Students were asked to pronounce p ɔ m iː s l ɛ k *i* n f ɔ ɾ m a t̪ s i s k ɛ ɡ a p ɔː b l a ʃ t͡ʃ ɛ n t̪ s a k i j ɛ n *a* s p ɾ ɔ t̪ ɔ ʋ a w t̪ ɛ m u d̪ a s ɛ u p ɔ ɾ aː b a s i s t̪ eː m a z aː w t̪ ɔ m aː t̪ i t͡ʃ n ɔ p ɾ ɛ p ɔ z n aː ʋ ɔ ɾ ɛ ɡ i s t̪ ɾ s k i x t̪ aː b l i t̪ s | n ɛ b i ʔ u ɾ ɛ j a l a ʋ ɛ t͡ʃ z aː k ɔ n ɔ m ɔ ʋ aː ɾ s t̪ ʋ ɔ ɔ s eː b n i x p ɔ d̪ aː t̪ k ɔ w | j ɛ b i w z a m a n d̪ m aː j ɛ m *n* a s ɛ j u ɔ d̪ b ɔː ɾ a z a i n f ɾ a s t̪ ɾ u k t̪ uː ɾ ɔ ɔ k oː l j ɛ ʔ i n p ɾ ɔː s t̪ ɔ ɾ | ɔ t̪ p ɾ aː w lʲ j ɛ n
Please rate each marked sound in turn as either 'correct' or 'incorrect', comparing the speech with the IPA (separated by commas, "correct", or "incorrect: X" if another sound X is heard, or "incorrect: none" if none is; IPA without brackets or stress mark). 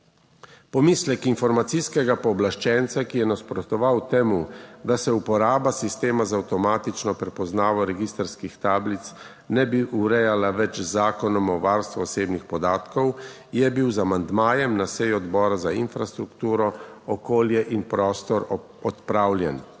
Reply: correct, correct, correct